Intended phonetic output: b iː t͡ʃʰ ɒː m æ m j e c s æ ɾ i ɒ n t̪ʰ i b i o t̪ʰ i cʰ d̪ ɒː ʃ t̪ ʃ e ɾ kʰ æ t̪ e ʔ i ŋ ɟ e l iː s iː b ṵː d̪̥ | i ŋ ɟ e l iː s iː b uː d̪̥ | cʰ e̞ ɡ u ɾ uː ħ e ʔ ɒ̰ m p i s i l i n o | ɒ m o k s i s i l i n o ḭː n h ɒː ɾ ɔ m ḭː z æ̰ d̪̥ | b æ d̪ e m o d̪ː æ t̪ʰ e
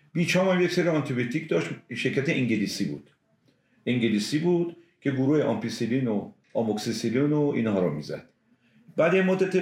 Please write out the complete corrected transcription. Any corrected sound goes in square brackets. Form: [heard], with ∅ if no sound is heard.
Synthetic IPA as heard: b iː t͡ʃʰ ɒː m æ m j e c s [e] ɾ i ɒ n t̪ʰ i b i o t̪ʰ i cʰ d̪ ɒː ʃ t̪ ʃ e ɾ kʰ æ t̪ e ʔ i ŋ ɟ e l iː s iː b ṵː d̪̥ | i ŋ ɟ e l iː s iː b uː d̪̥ | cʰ e̞ ɡ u ɾ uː [h] e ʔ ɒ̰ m p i s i l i n o | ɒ m o k s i s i l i n o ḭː n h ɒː ɾ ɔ m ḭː z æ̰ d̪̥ | b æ d̪ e m o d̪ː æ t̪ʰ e